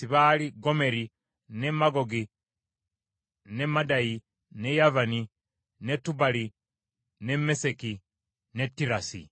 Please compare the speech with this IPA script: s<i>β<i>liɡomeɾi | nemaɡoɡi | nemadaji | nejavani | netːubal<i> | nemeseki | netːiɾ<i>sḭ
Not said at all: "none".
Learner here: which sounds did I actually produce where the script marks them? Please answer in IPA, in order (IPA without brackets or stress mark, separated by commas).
i, a, i, a